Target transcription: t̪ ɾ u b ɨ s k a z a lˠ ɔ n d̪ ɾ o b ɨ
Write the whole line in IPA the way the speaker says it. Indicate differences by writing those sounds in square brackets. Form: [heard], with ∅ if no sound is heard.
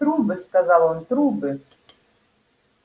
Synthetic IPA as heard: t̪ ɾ u b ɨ s k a z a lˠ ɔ n [t̪] ɾ [u] b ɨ